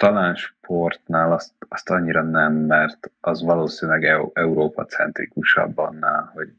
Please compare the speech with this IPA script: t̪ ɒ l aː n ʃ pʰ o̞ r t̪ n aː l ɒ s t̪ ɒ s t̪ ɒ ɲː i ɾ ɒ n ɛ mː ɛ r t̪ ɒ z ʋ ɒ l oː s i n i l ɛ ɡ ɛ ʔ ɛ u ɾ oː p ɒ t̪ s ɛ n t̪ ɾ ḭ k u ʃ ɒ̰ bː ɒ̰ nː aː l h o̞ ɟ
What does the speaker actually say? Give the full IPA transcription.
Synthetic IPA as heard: t̪ ɒ l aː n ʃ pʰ o̞ r t̪ n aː l ɒ s t̪ ɒ s t̪ ɒ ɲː i ɾ ɒ n ɛ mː ɛ r t̪ ɒ z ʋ ɒ l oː s i n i l ɛ ɡ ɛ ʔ ɛ u ɾ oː p ɒ t̪ s ɛ n t̪ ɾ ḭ k u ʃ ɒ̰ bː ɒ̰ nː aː l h o̞ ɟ